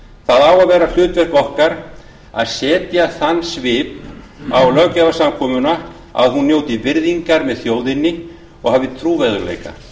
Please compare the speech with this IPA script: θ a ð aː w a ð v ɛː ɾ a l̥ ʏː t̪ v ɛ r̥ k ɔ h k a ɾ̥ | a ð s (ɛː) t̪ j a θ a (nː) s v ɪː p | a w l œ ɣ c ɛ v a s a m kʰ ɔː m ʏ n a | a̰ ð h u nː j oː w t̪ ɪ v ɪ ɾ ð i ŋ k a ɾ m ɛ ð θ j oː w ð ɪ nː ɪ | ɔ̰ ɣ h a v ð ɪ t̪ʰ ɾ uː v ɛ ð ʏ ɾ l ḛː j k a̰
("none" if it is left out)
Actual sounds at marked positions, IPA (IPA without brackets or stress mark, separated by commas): ɛː, nː